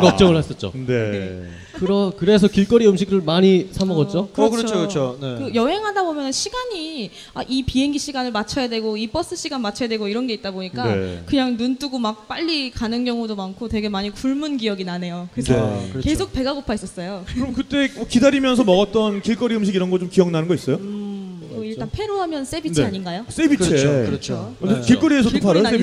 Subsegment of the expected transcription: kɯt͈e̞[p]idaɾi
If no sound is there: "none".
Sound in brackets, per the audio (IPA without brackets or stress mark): k